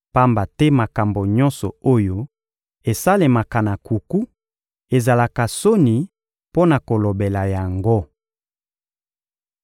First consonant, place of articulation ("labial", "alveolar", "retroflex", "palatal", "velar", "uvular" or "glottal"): labial